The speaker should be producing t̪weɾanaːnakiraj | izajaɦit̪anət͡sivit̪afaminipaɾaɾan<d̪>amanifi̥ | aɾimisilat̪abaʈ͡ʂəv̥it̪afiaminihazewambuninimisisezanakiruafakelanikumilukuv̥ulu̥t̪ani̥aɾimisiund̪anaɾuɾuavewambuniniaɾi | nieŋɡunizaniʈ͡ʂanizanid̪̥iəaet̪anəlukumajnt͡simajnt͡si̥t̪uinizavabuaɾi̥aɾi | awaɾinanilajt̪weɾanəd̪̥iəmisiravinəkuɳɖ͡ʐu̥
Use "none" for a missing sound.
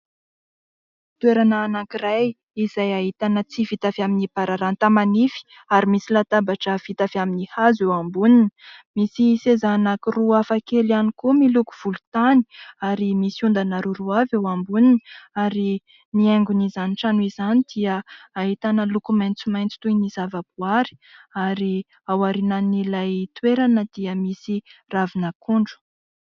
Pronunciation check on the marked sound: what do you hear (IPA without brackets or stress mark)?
t̪